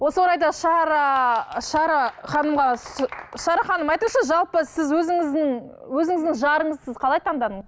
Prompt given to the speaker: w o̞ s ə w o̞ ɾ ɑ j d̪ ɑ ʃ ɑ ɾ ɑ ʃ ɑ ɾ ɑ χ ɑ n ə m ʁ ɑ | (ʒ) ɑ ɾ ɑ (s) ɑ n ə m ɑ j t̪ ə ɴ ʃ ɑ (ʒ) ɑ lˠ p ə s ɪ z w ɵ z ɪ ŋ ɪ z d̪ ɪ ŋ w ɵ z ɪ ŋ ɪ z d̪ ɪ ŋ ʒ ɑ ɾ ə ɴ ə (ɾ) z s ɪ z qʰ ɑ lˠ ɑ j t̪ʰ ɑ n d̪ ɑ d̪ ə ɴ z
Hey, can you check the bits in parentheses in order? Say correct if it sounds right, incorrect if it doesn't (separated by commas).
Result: incorrect, incorrect, correct, incorrect